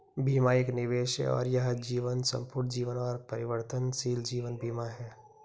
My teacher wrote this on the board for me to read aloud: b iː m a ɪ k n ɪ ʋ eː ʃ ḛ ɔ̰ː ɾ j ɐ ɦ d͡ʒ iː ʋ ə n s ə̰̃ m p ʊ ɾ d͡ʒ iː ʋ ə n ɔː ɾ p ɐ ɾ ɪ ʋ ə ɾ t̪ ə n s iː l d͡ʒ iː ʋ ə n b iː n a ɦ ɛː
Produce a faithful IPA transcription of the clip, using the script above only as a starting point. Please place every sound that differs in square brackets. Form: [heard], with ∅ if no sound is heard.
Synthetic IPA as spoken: b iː m a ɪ k n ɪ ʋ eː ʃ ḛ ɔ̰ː ɾ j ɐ ɦ d͡ʒ iː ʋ ə n s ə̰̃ m p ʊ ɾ d͡ʒ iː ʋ ə n ɔː ɾ p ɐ ɾ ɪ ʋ ə ɾ t̪ ə n s iː l d͡ʒ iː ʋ ə n b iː [m] a ɦ ɛː